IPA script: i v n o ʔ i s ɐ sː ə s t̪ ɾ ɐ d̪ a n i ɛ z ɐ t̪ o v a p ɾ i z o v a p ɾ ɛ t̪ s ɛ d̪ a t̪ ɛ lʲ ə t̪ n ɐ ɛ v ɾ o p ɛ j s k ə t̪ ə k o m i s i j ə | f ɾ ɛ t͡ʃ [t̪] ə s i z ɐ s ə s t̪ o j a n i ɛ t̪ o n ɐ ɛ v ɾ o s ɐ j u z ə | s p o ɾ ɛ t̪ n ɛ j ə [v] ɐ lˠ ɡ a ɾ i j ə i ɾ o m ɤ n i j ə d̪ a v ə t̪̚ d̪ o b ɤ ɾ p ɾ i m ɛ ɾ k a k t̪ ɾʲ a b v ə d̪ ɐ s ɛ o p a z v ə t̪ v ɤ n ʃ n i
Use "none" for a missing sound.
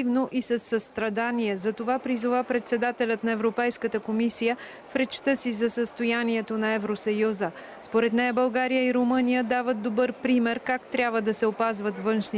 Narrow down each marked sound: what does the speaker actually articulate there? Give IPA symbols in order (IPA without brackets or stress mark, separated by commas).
t̪, b